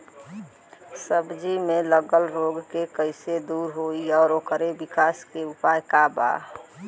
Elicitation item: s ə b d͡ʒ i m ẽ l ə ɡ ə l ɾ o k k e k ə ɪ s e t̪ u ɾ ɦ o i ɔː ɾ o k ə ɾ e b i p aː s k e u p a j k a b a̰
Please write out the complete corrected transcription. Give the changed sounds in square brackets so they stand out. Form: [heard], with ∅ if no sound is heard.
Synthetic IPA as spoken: s ə b d͡ʒ i m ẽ l ə ɡ ə l ɾ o [ɡ] k e k ə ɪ s e [d̪] u ɾ ɦ o i ɔː ɾ o k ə ɾ e b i [k] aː s k e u p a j k a b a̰